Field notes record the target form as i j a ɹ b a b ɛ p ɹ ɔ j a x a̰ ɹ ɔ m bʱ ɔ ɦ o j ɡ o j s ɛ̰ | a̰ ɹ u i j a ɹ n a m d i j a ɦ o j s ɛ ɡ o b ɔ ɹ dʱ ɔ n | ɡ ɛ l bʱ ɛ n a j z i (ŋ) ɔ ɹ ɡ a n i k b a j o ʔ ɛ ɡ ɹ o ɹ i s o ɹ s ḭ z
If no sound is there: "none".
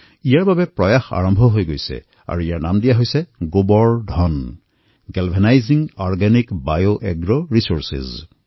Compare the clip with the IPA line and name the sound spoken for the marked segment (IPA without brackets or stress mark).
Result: ŋ